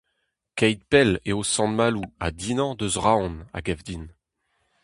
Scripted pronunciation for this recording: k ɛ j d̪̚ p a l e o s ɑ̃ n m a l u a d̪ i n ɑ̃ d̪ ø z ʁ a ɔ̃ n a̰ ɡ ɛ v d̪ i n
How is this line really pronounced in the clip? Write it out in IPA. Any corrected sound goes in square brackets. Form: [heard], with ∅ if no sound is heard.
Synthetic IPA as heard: k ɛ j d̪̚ p [ɛ] l e o s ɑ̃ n m a l u a d̪ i n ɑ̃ d̪ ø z ʁ a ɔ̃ n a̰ ɡ ɛ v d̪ i n